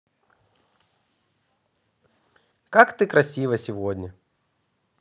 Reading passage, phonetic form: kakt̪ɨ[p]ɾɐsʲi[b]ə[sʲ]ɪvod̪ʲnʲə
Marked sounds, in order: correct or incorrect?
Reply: incorrect: k, incorrect: v, correct

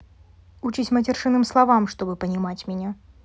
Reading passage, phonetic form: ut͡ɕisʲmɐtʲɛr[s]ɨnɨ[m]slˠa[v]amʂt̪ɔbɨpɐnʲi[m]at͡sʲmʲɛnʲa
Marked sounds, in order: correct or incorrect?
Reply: incorrect: ʂ, correct, correct, correct

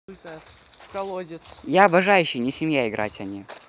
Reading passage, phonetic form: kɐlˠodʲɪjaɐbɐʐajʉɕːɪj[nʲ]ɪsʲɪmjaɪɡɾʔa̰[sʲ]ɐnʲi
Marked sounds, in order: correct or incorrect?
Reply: correct, incorrect: tʲ

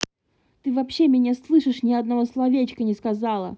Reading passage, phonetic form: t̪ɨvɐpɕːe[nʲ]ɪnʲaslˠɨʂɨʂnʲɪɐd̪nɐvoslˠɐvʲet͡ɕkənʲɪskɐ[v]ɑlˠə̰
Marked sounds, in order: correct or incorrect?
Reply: incorrect: mʲ, incorrect: z

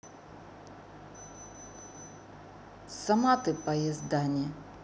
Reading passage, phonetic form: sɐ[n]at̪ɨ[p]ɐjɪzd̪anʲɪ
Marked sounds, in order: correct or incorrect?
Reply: incorrect: m, correct

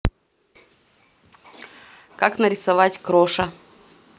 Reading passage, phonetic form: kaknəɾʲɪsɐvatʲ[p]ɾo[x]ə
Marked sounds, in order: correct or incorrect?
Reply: incorrect: k, incorrect: ʂ

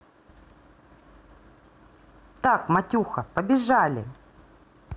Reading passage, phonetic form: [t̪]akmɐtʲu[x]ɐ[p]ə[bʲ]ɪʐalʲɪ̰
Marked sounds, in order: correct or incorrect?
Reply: correct, correct, correct, correct

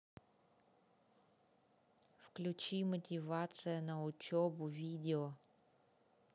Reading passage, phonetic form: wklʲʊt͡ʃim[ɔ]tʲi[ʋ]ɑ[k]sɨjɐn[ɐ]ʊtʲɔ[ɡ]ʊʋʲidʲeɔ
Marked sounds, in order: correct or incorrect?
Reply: correct, correct, incorrect: none, correct, incorrect: b

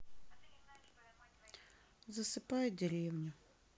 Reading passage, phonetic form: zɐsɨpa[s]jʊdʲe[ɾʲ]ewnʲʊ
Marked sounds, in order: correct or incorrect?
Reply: incorrect: none, correct

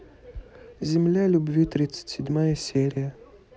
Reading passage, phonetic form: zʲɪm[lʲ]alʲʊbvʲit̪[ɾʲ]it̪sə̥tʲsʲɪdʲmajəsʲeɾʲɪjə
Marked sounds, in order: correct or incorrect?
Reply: correct, correct

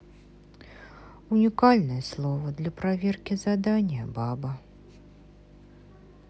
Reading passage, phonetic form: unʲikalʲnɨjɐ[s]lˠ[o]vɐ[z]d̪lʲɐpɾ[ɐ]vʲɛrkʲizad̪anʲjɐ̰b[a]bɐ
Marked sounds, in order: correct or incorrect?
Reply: correct, incorrect: ɔ, incorrect: none, incorrect: a, correct

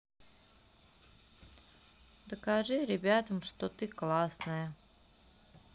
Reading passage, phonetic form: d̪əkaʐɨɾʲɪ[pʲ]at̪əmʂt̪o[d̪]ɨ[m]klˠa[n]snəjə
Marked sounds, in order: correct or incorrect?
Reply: incorrect: bʲ, incorrect: t̪, incorrect: none, incorrect: none

